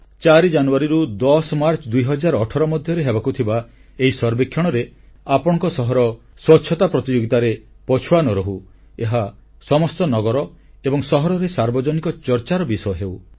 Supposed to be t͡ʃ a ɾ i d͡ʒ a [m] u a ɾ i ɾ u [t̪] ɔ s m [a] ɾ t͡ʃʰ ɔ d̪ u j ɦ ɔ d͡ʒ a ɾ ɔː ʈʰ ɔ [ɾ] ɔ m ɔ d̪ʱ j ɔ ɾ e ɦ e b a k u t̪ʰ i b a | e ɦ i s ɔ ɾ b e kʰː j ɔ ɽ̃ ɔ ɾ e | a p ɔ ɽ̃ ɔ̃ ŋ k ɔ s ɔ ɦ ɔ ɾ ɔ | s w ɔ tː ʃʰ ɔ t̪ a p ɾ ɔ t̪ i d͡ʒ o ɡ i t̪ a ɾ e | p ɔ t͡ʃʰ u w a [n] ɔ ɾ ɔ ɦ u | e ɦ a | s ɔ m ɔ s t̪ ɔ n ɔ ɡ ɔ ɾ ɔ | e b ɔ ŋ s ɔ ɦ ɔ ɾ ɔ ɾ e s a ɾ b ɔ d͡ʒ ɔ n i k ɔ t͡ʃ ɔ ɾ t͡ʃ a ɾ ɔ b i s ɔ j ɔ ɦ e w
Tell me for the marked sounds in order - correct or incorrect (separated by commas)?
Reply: incorrect, incorrect, correct, correct, correct